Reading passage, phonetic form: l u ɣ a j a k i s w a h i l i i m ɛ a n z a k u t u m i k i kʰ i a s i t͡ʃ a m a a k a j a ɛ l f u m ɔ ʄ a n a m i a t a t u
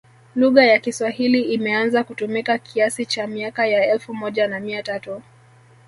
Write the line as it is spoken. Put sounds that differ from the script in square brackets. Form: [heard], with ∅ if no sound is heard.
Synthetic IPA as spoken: l u ɣ a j a k i s w a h i l i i m ɛ a n z a k u t u m i k [a] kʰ i a s i t͡ʃ a m [i] a k a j a ɛ l f u m ɔ ʄ a n a m i a t a t u